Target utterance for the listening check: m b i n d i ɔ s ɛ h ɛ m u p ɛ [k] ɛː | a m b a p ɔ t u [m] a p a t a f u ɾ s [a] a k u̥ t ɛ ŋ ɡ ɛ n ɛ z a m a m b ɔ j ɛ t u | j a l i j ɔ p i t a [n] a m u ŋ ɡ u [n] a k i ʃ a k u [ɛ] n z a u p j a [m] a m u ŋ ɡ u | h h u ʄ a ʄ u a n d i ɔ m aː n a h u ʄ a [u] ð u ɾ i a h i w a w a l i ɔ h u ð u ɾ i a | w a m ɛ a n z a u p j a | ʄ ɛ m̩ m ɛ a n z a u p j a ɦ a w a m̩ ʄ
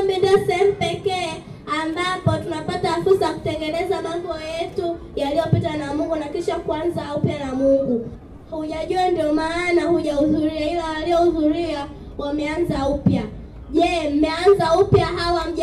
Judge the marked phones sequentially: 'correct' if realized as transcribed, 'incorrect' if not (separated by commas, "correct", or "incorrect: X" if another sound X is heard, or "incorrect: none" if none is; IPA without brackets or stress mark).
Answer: correct, incorrect: n, correct, correct, correct, incorrect: a, incorrect: n, correct